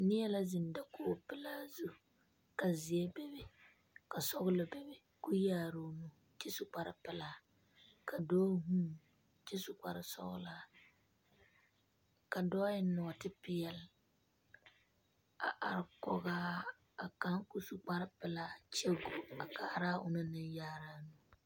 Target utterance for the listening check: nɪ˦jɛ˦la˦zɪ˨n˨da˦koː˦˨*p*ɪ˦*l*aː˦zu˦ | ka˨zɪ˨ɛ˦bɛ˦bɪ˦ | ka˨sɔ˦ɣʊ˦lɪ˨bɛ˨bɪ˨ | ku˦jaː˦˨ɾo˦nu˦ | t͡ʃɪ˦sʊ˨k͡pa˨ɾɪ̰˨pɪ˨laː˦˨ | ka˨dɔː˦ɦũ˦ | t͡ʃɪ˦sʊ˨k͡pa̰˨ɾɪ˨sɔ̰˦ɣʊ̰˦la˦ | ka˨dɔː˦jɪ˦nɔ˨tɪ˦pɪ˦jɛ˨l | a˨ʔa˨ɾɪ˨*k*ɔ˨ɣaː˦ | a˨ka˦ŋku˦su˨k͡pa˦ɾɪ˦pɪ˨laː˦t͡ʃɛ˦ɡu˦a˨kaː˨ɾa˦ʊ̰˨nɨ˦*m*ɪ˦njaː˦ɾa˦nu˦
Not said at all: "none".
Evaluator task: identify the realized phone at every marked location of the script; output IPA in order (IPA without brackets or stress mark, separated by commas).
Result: p, l, k, n